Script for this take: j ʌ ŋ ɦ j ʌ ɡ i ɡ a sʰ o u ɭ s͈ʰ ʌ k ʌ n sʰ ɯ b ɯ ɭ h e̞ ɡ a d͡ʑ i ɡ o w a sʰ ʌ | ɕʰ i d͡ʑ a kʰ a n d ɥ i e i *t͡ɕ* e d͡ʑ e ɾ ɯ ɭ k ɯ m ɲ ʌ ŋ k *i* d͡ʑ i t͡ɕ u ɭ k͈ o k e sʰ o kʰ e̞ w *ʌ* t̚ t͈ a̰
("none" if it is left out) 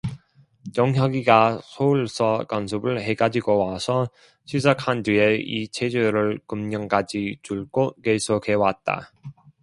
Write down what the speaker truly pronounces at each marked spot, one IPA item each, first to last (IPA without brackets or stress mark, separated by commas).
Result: t͡ɕʰ, a, a